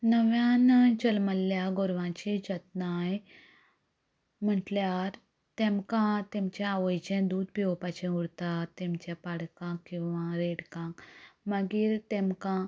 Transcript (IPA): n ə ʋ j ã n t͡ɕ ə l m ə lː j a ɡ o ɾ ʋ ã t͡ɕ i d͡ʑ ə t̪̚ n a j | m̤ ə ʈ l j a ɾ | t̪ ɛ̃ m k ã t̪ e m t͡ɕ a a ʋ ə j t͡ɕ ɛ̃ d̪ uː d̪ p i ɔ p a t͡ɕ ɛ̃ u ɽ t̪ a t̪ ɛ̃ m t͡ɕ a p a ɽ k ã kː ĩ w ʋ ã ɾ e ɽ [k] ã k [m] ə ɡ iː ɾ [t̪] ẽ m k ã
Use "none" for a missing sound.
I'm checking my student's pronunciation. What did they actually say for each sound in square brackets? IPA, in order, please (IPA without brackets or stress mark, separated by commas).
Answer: k, m, t̪